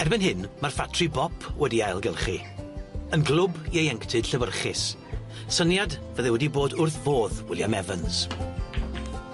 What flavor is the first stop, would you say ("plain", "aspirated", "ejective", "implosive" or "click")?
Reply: plain